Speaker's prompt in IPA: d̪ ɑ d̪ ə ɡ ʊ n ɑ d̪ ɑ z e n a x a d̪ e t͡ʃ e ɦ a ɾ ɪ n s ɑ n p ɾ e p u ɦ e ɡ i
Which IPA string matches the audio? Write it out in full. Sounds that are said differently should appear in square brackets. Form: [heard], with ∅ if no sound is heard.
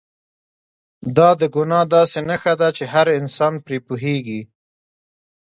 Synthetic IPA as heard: d̪ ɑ d̪ ə ɡ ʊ n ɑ d̪ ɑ [s] e n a x a d̪ [a] t͡ʃ e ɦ a ɾ ɪ n s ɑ n p ɾ e p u ɦ e ɡ i